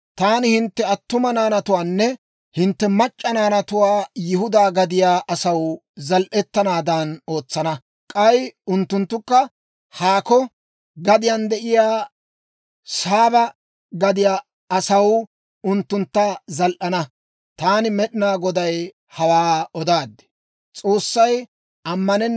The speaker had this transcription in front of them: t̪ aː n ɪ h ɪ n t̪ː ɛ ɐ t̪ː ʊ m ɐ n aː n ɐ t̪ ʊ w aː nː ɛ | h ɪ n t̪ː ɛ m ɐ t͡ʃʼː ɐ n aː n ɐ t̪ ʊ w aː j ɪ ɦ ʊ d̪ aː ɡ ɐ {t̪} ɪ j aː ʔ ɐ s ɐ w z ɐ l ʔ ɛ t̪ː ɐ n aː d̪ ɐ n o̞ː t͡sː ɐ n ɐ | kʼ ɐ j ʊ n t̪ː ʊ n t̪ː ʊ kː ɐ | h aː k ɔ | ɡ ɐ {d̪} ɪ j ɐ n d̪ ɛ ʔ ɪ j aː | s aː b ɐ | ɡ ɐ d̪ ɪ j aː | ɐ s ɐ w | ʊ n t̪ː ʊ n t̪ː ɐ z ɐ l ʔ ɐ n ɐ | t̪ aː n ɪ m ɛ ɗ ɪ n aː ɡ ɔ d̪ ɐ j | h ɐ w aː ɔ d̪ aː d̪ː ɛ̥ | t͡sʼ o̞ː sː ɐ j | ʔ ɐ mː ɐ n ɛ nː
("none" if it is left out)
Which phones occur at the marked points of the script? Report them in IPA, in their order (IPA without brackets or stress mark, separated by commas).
d̪, d̪